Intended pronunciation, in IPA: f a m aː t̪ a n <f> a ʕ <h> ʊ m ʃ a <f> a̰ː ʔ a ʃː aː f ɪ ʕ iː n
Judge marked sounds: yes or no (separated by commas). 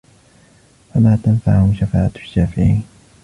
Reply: yes, yes, yes